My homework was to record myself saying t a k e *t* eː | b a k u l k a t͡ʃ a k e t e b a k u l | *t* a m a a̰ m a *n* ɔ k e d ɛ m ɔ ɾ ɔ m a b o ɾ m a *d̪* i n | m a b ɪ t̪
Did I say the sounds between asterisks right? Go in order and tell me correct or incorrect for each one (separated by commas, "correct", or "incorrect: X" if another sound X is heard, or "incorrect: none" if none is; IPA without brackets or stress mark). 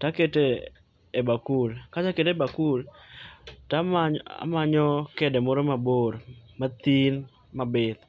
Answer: correct, correct, incorrect: ɲ, incorrect: t̪